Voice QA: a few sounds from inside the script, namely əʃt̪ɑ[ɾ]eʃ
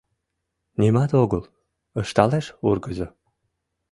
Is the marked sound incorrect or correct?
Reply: incorrect